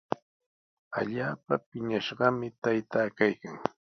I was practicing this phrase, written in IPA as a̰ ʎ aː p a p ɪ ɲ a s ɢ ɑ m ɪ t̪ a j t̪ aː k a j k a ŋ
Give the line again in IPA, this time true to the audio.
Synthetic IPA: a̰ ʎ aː p a p ɪ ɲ a ʃ ɢ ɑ m ɪ t̪ a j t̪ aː k a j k a ŋ